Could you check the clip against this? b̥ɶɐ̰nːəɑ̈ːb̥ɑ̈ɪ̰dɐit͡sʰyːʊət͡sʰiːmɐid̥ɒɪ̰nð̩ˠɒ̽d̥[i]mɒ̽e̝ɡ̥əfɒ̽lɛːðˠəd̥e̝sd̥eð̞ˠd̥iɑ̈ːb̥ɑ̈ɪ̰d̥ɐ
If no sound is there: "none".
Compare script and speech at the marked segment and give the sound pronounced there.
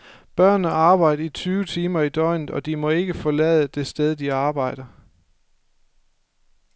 i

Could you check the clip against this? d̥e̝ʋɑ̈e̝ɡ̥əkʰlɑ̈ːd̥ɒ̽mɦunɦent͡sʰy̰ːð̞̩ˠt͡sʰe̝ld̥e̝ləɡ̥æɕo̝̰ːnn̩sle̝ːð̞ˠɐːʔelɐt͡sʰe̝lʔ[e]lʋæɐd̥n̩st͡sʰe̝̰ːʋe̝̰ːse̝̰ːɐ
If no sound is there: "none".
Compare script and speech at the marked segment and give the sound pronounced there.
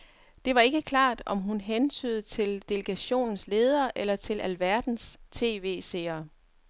æ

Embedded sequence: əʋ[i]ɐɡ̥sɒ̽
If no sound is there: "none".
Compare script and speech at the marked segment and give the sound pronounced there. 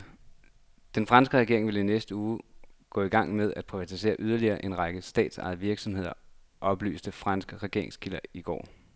i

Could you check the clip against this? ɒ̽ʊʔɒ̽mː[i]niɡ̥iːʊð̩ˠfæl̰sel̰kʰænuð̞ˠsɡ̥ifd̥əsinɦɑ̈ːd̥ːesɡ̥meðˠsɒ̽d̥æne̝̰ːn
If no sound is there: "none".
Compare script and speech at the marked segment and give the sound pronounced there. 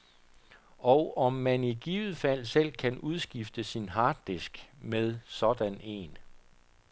æ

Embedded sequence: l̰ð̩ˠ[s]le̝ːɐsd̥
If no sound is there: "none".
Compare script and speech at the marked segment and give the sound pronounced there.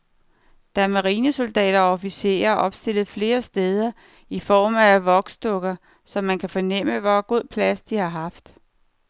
f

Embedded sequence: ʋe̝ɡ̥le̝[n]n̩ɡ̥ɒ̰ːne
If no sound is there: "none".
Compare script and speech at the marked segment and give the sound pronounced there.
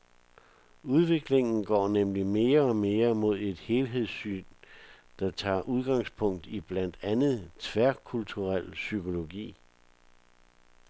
ŋ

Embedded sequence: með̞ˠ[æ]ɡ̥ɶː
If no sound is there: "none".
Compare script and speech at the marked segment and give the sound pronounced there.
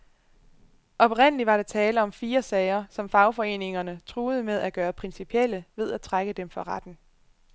æ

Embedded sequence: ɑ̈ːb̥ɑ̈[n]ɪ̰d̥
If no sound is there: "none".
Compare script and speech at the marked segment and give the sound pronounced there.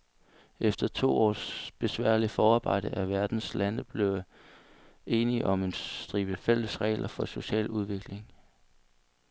none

